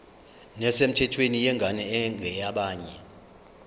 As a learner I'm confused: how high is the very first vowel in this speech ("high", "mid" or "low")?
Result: mid